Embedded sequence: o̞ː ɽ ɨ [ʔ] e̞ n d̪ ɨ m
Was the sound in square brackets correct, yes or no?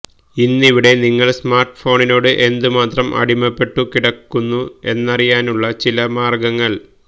yes